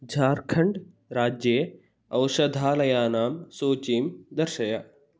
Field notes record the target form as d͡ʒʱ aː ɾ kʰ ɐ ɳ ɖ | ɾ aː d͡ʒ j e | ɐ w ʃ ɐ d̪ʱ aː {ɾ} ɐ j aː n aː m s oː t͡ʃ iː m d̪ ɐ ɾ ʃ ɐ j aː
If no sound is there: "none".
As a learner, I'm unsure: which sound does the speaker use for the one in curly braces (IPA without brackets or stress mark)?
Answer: l